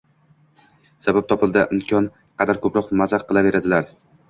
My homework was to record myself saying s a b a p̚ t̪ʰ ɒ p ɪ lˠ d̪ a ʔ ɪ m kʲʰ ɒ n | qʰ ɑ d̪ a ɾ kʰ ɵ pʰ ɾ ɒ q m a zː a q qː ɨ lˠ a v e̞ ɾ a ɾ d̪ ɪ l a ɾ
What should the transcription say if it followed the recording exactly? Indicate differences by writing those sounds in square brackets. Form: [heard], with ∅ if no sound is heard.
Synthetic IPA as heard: s a b a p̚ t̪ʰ ɒ p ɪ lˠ d̪ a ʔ ɪ m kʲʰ ɒ n | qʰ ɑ d̪ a ɾ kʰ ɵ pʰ ɾ ɒ q m a [z] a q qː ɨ lˠ a v e̞ ɾ a [∅] d̪ ɪ l a ɾ